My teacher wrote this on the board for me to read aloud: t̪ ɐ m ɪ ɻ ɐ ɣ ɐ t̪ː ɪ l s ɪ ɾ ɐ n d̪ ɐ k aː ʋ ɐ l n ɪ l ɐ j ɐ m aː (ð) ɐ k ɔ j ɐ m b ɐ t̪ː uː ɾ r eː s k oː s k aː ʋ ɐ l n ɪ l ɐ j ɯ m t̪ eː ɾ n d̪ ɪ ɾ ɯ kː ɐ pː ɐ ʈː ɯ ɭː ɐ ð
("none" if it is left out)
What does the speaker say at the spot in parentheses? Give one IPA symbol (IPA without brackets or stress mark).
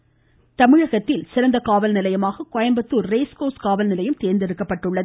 ɣ